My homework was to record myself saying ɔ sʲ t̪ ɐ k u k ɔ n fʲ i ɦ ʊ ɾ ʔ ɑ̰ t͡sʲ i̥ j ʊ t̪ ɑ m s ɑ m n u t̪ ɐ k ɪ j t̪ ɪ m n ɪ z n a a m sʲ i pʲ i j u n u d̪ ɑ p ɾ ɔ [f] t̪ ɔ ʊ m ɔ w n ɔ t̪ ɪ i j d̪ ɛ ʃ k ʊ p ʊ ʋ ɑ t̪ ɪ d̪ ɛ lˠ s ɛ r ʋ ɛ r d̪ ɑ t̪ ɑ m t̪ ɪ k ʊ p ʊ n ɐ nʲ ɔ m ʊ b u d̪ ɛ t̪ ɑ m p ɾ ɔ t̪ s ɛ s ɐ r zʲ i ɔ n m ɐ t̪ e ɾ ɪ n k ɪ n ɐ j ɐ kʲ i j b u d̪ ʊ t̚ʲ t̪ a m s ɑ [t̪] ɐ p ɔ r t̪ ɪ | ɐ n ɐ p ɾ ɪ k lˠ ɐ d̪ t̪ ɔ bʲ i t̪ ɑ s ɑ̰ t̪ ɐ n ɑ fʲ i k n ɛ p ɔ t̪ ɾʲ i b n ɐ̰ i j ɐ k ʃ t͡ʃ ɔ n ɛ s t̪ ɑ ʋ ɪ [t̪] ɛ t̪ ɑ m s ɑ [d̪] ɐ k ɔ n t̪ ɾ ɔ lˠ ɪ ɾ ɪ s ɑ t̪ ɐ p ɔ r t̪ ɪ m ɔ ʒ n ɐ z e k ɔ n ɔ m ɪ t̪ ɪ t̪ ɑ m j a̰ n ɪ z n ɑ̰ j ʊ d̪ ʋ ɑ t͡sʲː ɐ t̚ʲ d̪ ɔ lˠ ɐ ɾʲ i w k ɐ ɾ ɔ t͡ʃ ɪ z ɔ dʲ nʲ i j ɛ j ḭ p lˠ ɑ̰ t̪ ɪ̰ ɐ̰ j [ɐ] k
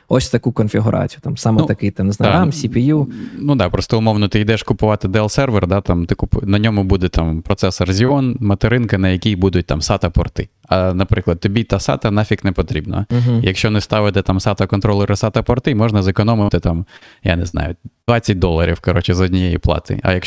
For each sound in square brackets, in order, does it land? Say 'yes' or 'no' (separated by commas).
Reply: no, yes, yes, no, yes